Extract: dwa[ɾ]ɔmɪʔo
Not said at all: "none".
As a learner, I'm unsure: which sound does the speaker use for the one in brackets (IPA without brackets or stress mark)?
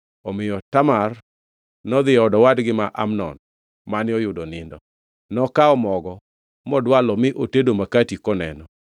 l